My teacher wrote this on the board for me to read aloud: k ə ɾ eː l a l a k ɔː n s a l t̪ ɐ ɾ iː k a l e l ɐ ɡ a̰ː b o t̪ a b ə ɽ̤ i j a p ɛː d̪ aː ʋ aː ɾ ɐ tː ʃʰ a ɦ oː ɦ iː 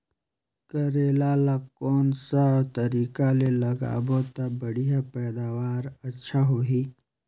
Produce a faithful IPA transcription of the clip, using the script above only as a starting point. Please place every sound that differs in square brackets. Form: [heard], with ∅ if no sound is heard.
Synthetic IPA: k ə ɾ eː l a l a k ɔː n s a [∅] t̪ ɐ ɾ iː k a l e l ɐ ɡ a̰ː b o t̪ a b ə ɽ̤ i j a p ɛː d̪ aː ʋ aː ɾ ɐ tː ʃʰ a ɦ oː ɦ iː